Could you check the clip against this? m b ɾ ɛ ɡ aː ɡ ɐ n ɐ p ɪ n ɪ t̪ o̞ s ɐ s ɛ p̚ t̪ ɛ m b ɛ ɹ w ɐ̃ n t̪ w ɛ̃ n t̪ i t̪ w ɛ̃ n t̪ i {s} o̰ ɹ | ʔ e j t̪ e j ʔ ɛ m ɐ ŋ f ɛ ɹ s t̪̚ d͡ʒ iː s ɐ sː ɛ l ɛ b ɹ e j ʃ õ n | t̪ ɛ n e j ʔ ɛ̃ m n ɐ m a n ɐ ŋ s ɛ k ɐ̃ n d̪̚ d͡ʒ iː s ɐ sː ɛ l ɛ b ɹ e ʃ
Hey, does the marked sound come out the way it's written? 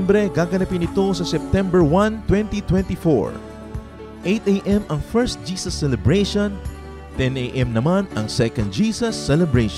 no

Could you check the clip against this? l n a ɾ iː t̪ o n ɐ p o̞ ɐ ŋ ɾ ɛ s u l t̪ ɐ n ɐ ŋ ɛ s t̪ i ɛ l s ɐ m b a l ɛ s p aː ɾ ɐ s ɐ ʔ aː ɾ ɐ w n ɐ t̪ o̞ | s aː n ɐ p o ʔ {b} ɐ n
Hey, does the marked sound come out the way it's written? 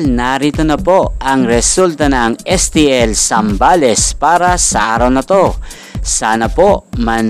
no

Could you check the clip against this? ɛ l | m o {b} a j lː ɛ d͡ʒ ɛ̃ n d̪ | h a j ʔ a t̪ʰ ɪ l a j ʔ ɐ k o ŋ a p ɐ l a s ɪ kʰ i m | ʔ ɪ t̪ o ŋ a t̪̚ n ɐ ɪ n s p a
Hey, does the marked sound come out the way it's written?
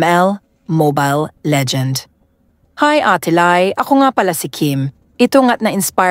yes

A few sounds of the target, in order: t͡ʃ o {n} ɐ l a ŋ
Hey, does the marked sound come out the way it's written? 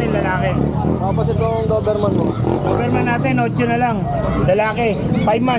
yes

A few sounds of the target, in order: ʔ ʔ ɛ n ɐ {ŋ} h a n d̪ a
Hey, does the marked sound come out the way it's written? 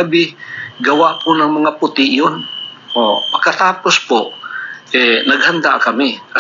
no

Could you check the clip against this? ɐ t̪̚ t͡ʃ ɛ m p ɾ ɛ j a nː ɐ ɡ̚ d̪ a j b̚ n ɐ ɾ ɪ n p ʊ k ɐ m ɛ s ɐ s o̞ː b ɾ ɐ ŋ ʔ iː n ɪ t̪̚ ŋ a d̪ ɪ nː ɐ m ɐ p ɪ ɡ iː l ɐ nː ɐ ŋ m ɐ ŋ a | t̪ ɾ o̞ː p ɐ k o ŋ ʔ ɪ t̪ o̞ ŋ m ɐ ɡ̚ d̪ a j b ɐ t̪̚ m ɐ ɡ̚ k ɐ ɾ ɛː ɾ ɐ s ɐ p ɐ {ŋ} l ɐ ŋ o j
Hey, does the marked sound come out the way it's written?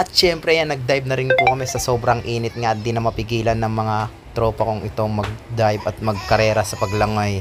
no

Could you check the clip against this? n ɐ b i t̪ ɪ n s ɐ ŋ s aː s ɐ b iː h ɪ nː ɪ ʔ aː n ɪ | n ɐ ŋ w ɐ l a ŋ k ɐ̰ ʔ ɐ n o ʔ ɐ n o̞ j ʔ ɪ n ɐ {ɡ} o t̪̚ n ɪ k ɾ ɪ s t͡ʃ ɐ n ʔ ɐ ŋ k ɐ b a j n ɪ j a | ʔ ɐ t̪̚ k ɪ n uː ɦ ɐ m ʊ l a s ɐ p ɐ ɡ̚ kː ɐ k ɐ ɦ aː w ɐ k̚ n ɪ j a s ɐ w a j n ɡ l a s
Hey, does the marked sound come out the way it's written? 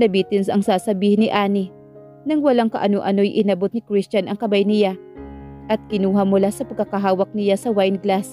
no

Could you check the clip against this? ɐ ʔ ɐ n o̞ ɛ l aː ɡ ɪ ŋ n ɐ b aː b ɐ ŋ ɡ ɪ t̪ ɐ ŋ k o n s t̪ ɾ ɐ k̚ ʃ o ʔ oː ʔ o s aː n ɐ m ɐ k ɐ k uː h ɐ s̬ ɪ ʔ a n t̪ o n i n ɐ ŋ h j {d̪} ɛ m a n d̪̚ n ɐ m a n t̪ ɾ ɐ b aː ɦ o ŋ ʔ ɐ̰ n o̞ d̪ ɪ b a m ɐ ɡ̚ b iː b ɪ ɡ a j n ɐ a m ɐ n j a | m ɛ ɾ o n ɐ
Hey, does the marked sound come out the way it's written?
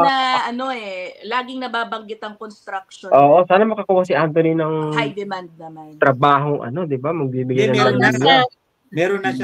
yes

